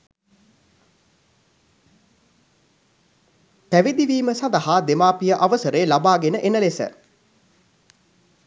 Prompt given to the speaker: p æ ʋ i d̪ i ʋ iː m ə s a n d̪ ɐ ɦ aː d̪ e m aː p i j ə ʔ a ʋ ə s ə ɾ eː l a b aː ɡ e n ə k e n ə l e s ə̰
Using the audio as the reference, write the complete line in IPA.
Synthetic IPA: p æ ʋ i d̪ i ʋ iː m ə s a n d̪ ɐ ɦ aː d̪ e m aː p i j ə ʔ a ʋ ə s ə ɾ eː l a b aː ɡ e n ə ʔ e n ə l e s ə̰

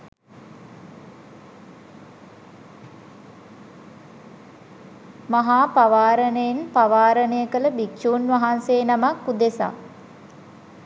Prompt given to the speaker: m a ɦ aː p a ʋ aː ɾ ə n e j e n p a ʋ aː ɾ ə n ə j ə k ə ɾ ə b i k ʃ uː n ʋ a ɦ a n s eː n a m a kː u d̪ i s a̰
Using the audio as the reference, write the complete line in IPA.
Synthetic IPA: m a ɦ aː p a ʋ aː ɾ ə n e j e n p a ʋ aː ɾ ə n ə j ə k ə l ə b i k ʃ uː n ʋ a ɦ a n s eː n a m a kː u d̪ e s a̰

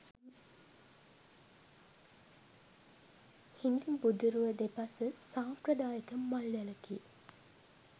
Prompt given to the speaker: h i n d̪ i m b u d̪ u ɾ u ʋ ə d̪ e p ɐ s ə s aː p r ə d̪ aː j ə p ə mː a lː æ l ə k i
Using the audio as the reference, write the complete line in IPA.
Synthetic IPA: h i n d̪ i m b u d̪ u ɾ u ʋ ə d̪ e p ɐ s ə s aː p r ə d̪ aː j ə k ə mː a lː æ l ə k i

